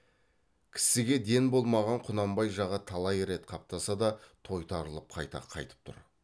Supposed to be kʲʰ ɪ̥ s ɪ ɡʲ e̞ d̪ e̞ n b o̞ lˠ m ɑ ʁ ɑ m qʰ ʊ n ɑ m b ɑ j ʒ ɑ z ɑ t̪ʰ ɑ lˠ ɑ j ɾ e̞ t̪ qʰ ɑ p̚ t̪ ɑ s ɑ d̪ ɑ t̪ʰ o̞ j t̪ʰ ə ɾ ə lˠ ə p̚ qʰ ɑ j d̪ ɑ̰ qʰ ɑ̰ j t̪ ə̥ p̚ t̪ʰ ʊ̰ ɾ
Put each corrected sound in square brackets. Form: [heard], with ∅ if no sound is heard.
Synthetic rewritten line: kʲʰ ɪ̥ s ɪ ɡʲ e̞ d̪ e̞ n b o̞ lˠ m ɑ ʁ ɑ [ɴ] qʰ ʊ n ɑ m b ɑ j ʒ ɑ [ʁ] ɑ t̪ʰ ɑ lˠ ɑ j ɾ e̞ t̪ qʰ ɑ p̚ t̪ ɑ s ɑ d̪ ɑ t̪ʰ o̞ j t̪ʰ [ɑ] ɾ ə lˠ ə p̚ qʰ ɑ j [t̪] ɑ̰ qʰ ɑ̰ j t̪ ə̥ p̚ t̪ʰ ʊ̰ ɾ

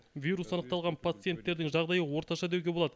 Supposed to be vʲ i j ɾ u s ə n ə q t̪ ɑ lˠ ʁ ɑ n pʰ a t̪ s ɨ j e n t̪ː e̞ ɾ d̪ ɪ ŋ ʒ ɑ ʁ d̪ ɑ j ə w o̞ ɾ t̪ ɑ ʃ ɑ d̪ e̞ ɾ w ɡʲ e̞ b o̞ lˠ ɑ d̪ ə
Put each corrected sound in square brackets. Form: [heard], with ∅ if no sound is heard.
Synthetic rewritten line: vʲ i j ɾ u s [ɑ] n ə q t̪ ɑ lˠ ʁ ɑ n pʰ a t̪ s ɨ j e n t̪ː e̞ ɾ d̪ ɪ ŋ ʒ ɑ ʁ d̪ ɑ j ə w o̞ ɾ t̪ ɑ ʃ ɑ d̪ e̞ [∅] w ɡʲ e̞ b o̞ lˠ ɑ d̪ ə

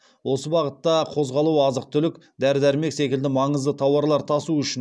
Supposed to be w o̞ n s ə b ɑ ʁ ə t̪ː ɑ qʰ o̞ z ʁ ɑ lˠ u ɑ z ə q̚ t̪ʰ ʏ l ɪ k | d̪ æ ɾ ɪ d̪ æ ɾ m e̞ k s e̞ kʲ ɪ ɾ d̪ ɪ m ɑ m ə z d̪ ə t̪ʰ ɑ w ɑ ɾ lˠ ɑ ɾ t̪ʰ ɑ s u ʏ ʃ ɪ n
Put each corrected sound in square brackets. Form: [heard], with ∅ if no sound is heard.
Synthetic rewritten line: w o̞ [∅] s ə b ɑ ʁ ə t̪ː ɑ qʰ o̞ z ʁ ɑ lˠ u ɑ z ə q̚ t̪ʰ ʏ l ɪ k | d̪ æ ɾ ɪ d̪ æ ɾ m e̞ k s e̞ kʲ ɪ [l] d̪ ɪ m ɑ [ɴ] ə z d̪ ə t̪ʰ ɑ w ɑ ɾ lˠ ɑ ɾ t̪ʰ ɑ s u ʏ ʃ ɪ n

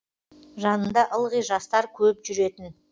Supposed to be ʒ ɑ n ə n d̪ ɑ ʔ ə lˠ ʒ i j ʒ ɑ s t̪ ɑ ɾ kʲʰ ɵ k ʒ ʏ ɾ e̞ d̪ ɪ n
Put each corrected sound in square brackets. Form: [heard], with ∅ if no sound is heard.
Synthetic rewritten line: ʒ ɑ n ə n d̪ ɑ ʔ ə lˠ [ʁ] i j ʒ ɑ s t̪ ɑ ɾ kʲʰ ɵ [p] ʒ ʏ ɾ e̞ [t̪] ɪ n

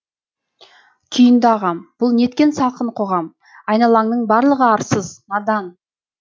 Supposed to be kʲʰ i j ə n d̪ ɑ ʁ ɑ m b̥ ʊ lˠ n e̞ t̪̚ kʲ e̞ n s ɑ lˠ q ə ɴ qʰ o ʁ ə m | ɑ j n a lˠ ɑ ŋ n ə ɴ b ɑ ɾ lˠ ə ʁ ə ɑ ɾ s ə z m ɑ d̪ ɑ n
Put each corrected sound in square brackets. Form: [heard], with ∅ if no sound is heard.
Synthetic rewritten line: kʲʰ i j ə n d̪ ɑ ʁ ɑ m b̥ ʊ lˠ n e̞ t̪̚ kʲ e̞ n s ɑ lˠ q ə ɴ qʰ o ʁ [ɑ] m | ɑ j n [ɑ] lˠ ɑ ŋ n ə ɴ b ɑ ɾ lˠ ə ʁ ə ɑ ɾ s ə z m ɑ d̪ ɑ n

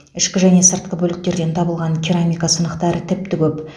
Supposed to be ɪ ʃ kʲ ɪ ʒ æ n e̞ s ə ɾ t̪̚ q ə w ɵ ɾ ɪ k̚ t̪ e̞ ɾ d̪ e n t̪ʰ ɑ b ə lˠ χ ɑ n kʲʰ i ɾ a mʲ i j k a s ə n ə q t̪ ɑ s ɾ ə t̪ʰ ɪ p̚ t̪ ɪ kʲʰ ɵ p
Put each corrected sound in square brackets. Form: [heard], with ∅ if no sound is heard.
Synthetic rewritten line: ɪ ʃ kʲ ɪ ʒ æ n e̞ s ə ɾ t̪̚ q ə [b] ɵ [l] ɪ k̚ t̪ e̞ ɾ d̪ e n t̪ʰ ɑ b ə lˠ [ʁ] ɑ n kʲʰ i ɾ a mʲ i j k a s ə n ə q t̪ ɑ [∅] ɾ ə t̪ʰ ɪ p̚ t̪ ɪ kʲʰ ɵ p

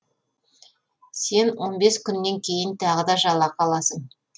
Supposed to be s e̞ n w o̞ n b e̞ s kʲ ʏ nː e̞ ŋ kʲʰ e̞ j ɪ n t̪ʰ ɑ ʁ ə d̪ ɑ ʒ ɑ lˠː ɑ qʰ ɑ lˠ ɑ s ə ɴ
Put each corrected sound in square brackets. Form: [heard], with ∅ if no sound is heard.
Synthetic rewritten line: s e̞ n w o̞ n b e̞ s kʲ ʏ nː e̞ ŋ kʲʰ e̞ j ɪ n t̪ʰ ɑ ʁ ə d̪ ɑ ʒ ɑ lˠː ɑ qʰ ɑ lˠ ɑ s ə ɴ

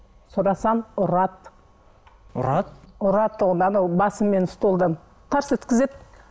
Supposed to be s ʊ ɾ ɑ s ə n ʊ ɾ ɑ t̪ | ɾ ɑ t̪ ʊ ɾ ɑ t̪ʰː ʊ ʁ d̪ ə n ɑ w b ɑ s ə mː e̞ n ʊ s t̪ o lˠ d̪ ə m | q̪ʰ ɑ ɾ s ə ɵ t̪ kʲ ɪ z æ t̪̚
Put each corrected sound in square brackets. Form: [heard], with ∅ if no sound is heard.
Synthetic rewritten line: s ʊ ɾ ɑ s [ɑ] n ʊ ɾ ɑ t̪ | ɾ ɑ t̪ ʊ ɾ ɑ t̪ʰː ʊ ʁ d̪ [ɑ] n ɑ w b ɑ s ə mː e̞ n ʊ s t̪ o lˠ d̪ ə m | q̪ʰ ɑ ɾ s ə ɵ t̪ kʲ ɪ z [e] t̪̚

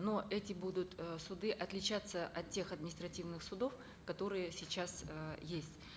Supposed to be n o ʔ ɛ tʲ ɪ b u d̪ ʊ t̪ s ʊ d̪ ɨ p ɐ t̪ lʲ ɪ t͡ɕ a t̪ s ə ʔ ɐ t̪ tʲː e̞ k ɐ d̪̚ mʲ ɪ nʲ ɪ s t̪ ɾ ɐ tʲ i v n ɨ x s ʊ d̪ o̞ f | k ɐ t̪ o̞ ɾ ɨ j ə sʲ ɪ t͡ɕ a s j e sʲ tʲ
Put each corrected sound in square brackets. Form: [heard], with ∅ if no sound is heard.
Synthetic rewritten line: n o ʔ ɛ tʲ ɪ b u d̪ ʊ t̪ s ʊ d̪ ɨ [ʔ] ɐ t̪ lʲ ɪ t͡ɕ a t̪ s ə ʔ ɐ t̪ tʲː e̞ [x] ɐ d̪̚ mʲ ɪ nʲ ɪ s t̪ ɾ ɐ tʲ i v n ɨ x s ʊ d̪ o̞ f | k ɐ t̪ o̞ ɾ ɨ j ə sʲ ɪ t͡ɕ a s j e sʲ tʲ

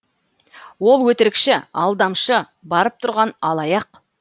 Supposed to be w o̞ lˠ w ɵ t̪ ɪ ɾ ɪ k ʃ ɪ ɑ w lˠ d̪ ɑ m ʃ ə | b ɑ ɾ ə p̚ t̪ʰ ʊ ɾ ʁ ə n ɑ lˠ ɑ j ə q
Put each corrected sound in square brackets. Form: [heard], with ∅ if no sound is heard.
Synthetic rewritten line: w o̞ lˠ w ɵ t̪ ɪ ɾ ɪ k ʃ ɪ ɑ [∅] lˠ d̪ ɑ m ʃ ə | b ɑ ɾ ə p̚ t̪ʰ ʊ ɾ ʁ [ɑ] n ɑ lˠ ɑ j [ɑ] q

